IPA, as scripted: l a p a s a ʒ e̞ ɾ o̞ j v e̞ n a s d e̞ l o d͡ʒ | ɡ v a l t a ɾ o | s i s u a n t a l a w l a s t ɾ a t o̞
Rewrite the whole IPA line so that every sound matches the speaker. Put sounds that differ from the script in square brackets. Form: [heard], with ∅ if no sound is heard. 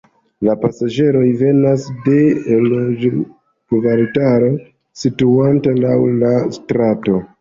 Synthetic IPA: l a p a s a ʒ e̞ ɾ o̞ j v e̞ n a s d e̞ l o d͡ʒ | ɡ v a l t a ɾ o | s i [t] u a n t a l a w l a s t ɾ a t o̞

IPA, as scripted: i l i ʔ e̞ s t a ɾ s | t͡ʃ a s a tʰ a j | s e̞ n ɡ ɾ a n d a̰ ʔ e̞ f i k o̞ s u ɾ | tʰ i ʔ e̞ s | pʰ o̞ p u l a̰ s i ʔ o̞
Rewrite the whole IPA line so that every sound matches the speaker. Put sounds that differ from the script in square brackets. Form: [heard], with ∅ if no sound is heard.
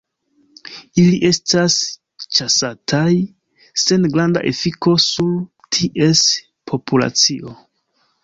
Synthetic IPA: i l i ʔ e̞ s t a [∅] s | t͡ʃ a s a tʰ a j | s e̞ n ɡ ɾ a n d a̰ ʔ e̞ f i k o̞ s u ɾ | tʰ i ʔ e̞ s | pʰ o̞ p u l a̰ [t͡s] i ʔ o̞

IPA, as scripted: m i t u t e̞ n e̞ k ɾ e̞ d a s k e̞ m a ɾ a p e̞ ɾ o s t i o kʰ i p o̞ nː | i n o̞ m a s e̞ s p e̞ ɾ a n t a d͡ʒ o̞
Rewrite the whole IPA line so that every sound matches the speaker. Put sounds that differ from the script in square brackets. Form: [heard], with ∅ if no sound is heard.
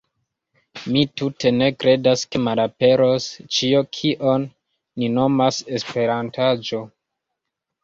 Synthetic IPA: m i t u t e̞ n e̞ k ɾ e̞ d a s k e̞ m a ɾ a p e̞ ɾ o s [t͡ʃ] i o kʰ i [ʔ] o̞ nː | i n o̞ m a s e̞ s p e̞ ɾ a n t a d͡ʒ o̞

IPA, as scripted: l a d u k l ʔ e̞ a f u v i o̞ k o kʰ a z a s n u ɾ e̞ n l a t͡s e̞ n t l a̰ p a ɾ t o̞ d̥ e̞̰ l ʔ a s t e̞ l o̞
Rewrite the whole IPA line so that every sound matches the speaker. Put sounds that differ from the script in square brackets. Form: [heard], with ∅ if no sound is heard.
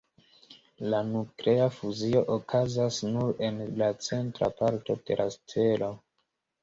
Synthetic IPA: l a [n] u k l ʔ e̞ a f u [z] i o̞ [ʔ] o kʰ a z a s n u ɾ e̞ n l a t͡s e̞ n t [ɾ] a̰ p a ɾ t o̞ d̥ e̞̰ l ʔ a s t e̞ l o̞

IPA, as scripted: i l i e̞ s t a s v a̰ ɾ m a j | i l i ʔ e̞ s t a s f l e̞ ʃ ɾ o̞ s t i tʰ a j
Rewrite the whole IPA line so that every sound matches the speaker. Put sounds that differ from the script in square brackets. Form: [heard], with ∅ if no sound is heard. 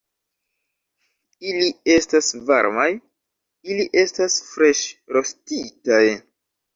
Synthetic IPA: i l i e̞ s t a s v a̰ ɾ m a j | i l i ʔ e̞ s t a s f [ɾ] e̞ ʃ ɾ o̞ s t i [t] a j

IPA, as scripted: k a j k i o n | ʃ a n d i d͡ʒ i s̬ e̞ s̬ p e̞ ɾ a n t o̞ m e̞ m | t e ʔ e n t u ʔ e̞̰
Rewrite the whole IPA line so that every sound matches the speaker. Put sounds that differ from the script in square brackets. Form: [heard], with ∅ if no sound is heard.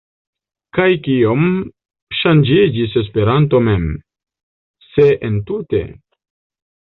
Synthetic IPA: k a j k i o [m] | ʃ a n [d͡ʒ] i d͡ʒ i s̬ e̞ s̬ p e̞ ɾ a n t o̞ m e̞ m | [s] e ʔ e n t u [t] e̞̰

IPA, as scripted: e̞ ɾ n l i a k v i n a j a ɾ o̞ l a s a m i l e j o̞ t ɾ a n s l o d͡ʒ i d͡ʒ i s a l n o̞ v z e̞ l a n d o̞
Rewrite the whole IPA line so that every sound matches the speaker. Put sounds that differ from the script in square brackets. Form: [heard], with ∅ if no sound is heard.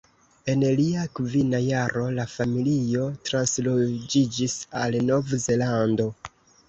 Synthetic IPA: e̞ [∅] n l i a k v i n a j a ɾ o̞ l a [f] a m i l [i] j o̞ t ɾ a n s l o d͡ʒ i d͡ʒ i s a l n o̞ v z e̞ l a n d o̞

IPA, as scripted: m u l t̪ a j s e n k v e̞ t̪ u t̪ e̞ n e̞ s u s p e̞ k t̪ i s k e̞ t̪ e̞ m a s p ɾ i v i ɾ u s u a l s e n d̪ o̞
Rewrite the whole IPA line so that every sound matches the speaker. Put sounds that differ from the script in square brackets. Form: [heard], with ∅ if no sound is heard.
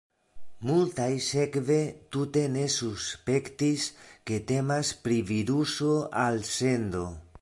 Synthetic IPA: m u l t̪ a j s e [∅] k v e̞ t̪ u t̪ e̞ n e̞ s u s p e̞ k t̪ i s k e̞ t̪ e̞ m a s p ɾ i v i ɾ u s [o] a l s e n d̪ o̞

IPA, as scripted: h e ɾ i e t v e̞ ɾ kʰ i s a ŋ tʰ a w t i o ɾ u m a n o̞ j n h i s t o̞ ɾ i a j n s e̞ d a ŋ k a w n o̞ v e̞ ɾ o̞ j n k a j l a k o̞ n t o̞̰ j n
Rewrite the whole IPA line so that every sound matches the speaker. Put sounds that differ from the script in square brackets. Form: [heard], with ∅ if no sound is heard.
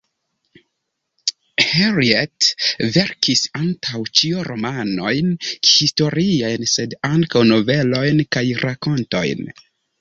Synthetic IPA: h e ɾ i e t v e̞ ɾ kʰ i s a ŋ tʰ a w [t͡ʃ] i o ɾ [o] m a n o̞ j n h i s t o̞ ɾ i a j n s e̞ d a ŋ k a w n o̞ v e̞ [l] o̞ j n k a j [ɾ] a k o̞ n t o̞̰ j n

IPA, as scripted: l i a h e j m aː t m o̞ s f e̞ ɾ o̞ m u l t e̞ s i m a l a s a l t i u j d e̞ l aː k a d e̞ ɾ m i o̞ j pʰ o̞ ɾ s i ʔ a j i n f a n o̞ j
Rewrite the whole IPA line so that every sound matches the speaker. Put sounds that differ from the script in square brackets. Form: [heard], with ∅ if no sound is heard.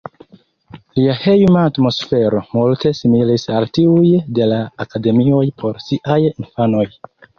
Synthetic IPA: l i a h e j m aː t m o̞ s f e̞ ɾ o̞ m u l t e̞ s i m [i] l [i] s a l t i u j d e̞ l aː k a d e̞ [∅] m i o̞ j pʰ o̞ ɾ s i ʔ a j i n f a n o̞ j

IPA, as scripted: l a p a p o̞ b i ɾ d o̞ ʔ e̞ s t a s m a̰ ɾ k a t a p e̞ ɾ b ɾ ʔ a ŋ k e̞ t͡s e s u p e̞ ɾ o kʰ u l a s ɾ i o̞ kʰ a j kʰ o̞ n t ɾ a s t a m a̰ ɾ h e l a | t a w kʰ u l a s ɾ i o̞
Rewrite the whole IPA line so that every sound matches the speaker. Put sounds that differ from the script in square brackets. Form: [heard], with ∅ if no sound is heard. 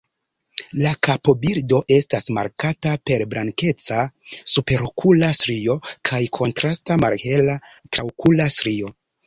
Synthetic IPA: l a [k] a p o̞ b i ɾ d o̞ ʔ e̞ s t a s m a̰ ɾ k a t a p e̞ ɾ b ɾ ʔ a ŋ k e̞ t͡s [a] s u p e̞ ɾ o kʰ u l a s ɾ i o̞ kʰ a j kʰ o̞ n t ɾ a s t a m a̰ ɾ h e l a | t a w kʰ u l a s ɾ i o̞

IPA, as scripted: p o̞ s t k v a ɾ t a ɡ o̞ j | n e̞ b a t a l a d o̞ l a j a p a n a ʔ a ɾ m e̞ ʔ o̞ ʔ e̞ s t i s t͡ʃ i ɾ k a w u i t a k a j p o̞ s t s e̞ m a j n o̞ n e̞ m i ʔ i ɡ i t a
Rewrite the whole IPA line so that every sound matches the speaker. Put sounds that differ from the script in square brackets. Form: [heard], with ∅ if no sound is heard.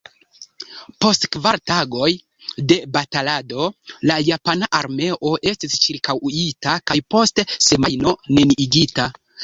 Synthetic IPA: p o̞ s t k v a ɾ t a ɡ o̞ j | [d] e̞ b a t a l a d o̞ l a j a p a n a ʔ a ɾ m e̞ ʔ o̞ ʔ e̞ s t i s t͡ʃ i ɾ k a w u i t a k a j p o̞ s t s e̞ m a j n o̞ n e̞ [n] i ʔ i ɡ i t a

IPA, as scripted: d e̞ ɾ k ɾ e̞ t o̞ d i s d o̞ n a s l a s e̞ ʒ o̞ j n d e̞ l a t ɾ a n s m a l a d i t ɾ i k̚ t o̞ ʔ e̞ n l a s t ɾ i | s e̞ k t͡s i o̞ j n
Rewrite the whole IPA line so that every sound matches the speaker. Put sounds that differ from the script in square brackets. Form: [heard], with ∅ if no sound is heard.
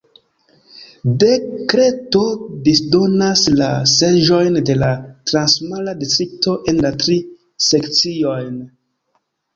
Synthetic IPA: d e̞ [∅] k ɾ e̞ t o̞ d i s d o̞ n a s l a s e̞ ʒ o̞ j n d e̞ l a t ɾ a n s m a l a d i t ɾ i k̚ t o̞ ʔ e̞ n l a [∅] t ɾ i | s e̞ k t͡s i o̞ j n

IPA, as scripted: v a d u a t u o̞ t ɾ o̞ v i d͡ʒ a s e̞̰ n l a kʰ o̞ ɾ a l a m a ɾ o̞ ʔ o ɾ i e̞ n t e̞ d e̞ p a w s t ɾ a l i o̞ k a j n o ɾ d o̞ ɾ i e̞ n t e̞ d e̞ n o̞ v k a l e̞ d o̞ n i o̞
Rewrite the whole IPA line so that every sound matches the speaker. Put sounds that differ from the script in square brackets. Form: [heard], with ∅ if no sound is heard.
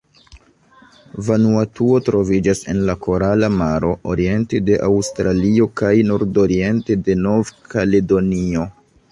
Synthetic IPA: v a [n] u a t u o̞ t ɾ o̞ v i d͡ʒ a s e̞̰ n l a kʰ o̞ ɾ a l a m a ɾ o̞ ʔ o ɾ i e̞ n t e̞ d e̞ [ʔ] a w s t ɾ a l i o̞ k a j n o ɾ d o̞ ɾ i e̞ n t e̞ d e̞ n o̞ v k a l e̞ d o̞ n i o̞

